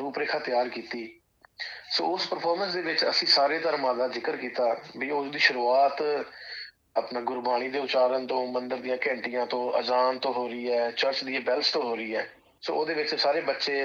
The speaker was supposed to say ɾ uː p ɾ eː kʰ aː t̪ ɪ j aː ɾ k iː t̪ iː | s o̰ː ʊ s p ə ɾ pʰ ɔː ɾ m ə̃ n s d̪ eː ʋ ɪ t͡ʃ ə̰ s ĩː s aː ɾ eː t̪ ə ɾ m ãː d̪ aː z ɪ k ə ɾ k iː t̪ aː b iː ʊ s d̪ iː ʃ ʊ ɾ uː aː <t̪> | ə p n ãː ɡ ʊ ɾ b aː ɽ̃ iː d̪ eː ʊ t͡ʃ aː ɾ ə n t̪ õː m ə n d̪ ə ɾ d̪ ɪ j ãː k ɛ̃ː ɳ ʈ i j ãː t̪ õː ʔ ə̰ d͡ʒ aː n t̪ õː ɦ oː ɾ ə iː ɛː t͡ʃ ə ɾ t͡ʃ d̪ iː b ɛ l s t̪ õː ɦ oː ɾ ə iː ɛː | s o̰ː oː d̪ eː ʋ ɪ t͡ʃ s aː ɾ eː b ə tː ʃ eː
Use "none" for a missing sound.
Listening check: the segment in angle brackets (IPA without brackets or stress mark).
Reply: t̪